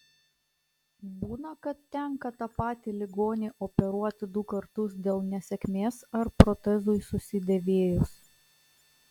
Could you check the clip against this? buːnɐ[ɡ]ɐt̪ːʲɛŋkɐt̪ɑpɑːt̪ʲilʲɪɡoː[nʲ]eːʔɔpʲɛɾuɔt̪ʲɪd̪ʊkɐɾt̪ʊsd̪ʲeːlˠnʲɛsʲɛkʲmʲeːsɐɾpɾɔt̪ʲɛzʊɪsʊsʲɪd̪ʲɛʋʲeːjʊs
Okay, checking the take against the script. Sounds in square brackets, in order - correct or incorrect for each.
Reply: incorrect, correct

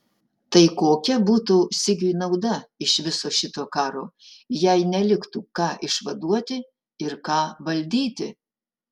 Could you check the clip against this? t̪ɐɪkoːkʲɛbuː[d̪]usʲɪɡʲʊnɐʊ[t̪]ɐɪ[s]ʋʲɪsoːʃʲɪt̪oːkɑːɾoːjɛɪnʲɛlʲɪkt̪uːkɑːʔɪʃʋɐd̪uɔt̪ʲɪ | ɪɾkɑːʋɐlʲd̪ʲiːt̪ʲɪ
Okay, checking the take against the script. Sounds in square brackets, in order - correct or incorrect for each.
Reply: incorrect, incorrect, incorrect

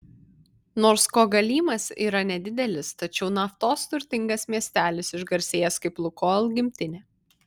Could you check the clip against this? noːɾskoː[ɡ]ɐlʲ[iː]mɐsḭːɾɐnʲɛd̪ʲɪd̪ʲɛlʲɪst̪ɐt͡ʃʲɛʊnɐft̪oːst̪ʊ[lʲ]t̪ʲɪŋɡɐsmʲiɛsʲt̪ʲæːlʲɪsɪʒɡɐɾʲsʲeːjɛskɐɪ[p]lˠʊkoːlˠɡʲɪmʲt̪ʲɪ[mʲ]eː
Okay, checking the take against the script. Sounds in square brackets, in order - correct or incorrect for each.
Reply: correct, correct, incorrect, correct, incorrect

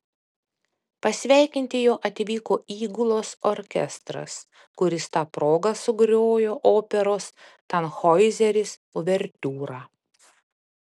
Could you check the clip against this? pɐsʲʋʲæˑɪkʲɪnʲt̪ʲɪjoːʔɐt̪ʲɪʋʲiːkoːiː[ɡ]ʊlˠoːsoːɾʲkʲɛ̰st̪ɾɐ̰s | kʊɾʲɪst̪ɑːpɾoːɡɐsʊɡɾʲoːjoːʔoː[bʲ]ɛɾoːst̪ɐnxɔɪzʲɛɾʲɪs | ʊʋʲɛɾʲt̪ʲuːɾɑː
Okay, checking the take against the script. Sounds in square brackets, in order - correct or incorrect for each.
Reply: correct, incorrect

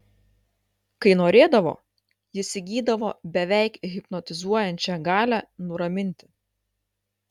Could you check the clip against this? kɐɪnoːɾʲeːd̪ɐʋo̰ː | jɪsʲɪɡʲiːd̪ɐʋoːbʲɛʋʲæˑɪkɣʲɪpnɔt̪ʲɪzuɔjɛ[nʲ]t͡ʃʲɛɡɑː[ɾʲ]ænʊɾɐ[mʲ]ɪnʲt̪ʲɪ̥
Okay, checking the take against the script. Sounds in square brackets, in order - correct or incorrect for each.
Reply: correct, incorrect, correct

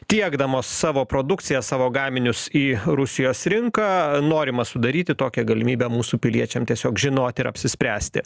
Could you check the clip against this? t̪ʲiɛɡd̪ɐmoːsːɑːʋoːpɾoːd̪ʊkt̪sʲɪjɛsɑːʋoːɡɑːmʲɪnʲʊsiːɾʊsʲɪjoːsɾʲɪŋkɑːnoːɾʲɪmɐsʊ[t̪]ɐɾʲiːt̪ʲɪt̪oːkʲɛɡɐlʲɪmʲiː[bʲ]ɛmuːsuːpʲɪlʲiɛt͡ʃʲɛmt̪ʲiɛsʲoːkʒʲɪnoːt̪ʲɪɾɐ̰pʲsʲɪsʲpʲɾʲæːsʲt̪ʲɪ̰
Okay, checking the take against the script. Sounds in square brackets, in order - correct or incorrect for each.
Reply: incorrect, correct

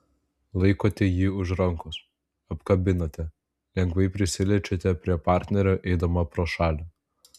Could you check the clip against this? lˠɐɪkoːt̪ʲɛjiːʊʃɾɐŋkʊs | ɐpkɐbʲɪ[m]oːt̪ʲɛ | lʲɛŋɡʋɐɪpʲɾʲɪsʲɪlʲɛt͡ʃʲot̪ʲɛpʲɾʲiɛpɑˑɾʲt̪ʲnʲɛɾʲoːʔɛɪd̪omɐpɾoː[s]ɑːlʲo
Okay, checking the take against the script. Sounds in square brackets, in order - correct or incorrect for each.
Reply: incorrect, incorrect

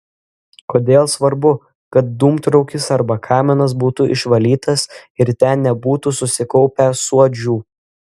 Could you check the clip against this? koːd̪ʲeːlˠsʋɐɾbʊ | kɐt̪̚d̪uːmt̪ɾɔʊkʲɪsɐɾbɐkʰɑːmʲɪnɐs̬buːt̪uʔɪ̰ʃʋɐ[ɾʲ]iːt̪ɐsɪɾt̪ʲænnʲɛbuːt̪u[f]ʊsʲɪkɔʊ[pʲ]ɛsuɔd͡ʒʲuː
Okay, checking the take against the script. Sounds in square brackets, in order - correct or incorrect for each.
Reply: incorrect, incorrect, correct

